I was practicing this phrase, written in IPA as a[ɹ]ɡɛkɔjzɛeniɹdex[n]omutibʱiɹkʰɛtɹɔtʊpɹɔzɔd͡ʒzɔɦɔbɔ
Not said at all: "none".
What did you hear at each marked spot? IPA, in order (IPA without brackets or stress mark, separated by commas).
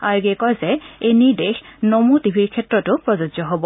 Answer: ɹ, n